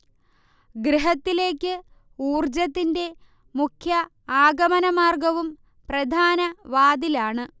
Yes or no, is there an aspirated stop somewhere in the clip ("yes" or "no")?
yes